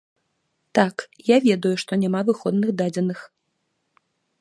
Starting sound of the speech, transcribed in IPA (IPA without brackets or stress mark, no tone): t̪